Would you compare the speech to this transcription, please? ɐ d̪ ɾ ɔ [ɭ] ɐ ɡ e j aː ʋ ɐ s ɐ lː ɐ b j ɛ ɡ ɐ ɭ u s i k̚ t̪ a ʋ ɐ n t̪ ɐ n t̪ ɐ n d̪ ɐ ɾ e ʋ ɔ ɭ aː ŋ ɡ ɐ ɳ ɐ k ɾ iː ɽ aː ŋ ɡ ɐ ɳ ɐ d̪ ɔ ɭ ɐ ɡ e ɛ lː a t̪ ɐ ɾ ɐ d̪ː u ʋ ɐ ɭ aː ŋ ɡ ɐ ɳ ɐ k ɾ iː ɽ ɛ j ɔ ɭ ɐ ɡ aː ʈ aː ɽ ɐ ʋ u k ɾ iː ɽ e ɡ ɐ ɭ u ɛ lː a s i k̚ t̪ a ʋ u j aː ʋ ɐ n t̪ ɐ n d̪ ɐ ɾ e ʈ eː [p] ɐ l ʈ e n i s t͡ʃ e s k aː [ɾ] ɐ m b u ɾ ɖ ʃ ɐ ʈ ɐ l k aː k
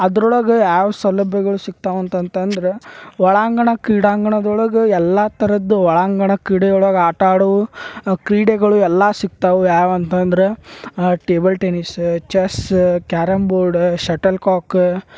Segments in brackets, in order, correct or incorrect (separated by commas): correct, incorrect, correct